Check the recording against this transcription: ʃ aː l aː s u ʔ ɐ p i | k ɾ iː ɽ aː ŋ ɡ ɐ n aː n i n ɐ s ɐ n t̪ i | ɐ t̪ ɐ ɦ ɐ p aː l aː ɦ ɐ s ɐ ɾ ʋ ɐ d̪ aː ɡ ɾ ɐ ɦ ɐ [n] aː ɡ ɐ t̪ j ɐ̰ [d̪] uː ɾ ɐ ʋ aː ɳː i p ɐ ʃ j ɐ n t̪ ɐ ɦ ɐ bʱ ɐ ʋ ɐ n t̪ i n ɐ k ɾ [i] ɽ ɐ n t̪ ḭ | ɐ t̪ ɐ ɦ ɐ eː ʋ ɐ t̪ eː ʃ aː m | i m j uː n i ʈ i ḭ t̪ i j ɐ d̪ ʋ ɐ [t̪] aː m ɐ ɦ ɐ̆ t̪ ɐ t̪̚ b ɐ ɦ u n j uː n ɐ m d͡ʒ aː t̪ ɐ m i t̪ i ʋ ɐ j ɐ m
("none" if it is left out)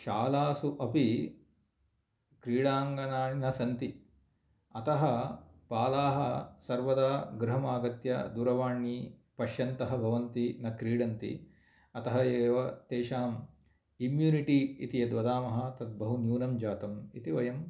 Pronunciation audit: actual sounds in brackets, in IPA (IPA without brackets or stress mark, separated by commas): m, d̪, iː, d̪